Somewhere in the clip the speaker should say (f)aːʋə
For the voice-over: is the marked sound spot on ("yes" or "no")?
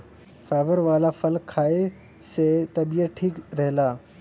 yes